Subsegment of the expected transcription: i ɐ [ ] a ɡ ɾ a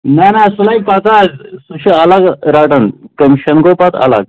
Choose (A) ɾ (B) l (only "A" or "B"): B